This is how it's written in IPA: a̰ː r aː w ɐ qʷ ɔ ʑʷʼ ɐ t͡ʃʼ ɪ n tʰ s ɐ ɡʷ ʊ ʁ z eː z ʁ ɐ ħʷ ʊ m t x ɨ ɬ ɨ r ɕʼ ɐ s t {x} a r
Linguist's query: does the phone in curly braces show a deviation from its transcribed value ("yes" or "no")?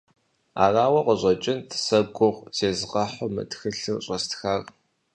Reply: no